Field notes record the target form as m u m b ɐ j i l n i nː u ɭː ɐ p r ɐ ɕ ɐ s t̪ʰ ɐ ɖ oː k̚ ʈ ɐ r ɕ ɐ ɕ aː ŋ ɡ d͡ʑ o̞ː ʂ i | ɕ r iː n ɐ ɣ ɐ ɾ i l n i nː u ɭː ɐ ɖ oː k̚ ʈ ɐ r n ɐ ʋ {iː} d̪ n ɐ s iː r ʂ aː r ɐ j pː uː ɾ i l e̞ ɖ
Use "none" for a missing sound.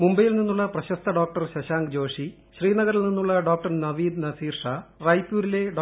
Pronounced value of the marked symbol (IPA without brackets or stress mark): iː